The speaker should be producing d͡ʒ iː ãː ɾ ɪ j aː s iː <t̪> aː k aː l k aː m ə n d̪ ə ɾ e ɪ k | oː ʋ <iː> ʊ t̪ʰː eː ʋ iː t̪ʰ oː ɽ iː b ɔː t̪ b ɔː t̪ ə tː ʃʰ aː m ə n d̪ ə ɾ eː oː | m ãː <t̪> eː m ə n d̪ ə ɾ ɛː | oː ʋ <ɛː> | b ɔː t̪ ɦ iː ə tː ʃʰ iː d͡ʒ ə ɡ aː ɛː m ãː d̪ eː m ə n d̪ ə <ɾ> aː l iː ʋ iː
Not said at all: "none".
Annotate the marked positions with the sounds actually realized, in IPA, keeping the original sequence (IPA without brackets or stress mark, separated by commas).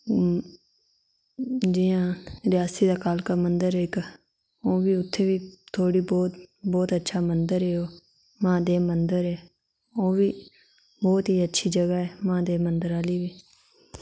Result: d̪, iː, d̪, iː, ɾ